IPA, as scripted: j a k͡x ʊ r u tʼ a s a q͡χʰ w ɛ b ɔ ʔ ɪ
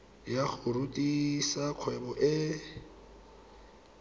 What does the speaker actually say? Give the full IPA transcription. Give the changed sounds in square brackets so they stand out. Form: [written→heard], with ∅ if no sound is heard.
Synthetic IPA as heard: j a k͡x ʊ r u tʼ [a→i] s a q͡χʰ w ɛ b ɔ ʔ ɪ